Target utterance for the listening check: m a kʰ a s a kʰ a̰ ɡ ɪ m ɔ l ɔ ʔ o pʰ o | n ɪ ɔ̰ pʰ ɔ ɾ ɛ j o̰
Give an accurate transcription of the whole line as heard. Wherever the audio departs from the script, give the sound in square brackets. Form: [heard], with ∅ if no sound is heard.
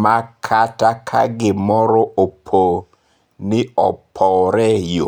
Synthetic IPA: m a kʰ a [t] a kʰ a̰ ɡ ɪ m ɔ [ɾ] ɔ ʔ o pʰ o | n ɪ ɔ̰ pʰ ɔ ɾ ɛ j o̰